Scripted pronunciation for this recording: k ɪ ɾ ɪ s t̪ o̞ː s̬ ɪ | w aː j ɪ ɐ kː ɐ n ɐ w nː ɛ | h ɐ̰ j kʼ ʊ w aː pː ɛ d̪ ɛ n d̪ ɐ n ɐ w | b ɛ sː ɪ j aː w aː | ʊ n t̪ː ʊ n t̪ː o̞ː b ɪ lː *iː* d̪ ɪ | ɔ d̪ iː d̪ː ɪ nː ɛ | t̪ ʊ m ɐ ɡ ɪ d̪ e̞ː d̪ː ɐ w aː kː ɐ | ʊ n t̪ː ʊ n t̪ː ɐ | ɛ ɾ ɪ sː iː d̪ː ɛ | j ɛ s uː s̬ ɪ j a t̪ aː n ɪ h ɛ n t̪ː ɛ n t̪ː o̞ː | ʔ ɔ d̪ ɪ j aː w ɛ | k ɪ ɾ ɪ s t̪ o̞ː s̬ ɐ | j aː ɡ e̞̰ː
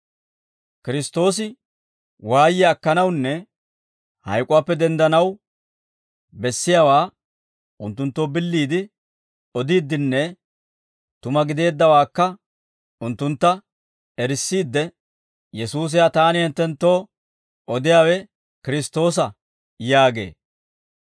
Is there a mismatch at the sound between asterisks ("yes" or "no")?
no